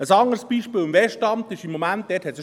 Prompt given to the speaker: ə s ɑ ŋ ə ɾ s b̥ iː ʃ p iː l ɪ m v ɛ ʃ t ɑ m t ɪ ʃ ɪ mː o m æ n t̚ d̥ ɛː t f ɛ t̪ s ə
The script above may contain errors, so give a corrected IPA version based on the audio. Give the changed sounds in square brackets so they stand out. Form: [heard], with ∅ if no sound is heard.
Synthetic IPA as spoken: ə s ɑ ŋ ə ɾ s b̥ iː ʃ p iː l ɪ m v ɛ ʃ t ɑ m t ɪ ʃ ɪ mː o m æ n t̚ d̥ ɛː t [h] ɛ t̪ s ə